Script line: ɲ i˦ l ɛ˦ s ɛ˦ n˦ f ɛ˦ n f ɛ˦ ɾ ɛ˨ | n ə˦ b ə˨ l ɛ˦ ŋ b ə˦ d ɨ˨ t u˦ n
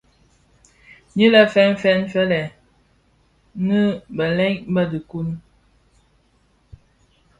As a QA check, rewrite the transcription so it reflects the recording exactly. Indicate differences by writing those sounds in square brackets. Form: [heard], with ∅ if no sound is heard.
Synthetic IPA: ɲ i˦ l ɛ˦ [f] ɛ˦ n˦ f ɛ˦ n f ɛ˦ [l] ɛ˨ | n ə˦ b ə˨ l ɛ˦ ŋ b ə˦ d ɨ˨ [k] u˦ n